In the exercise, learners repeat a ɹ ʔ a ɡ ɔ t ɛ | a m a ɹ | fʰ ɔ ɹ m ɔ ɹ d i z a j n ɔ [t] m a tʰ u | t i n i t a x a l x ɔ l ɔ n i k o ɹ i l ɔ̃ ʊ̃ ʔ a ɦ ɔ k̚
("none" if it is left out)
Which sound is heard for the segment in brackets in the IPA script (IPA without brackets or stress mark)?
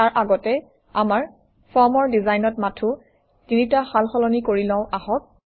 t